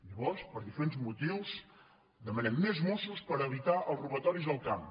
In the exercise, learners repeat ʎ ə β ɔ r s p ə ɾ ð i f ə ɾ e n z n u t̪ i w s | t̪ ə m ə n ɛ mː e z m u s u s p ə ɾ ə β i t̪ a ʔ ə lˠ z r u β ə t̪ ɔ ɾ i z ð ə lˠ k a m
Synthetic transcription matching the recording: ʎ ə β ɔ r s p ə ɾ ð i f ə ɾ e n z m u t̪ i w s | d̪ ə m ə n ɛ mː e z m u s u s p ə ɾ ə β i t̪ a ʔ ə lˠ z r u β ə t̪ ɔ ɾ i z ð ə lˠ k a m

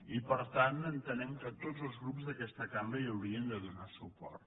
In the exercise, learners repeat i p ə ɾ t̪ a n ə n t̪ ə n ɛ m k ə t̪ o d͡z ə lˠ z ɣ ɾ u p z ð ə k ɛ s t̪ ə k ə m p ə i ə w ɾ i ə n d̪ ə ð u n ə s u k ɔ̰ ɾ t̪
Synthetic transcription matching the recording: i p ə ɾ t̪ a n ə n t̪ ə n ɛ m k ə t̪ o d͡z ə lˠ z ɣ ɾ u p z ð ə k ɛ s t̪ ə k a m b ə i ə w ɾ i ə n d̪ ə ð u n a s u p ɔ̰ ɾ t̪

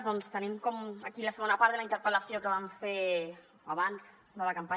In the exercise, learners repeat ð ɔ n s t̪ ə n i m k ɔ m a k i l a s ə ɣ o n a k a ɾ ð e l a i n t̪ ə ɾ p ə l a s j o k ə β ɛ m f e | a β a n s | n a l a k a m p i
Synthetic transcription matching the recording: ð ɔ n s t̪ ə n i m k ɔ m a k i l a s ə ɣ o n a p a ɾ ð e l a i n t̪ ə ɾ p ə l a s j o k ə β a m f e | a β a n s | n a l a k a m p a

